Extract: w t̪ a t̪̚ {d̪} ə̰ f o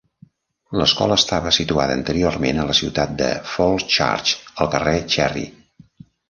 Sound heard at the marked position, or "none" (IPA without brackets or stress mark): d̪